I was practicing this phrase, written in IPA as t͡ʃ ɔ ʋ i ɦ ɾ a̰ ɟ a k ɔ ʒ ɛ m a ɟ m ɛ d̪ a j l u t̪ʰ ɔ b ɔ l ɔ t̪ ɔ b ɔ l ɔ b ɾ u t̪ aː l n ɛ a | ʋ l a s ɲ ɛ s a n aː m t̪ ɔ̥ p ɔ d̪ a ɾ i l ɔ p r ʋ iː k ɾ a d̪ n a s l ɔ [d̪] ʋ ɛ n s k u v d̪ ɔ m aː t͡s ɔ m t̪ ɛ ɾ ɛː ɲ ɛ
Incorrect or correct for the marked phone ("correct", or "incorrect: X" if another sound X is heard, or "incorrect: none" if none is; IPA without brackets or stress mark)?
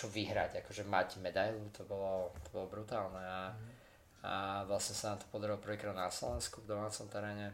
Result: incorrect: none